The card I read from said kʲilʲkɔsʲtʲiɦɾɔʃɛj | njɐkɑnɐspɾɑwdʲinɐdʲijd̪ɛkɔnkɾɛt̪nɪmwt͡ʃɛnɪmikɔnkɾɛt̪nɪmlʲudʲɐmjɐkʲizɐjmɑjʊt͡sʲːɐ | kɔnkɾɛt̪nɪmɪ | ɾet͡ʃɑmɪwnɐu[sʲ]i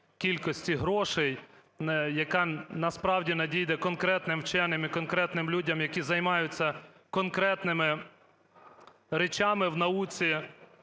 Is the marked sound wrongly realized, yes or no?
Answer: yes